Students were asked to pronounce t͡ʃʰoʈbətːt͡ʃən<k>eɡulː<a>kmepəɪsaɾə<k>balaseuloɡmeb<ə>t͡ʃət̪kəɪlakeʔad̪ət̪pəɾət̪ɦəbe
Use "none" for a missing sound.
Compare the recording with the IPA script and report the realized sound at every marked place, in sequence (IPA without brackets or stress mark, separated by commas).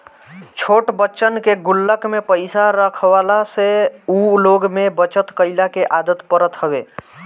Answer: k, ə, kʰ, ə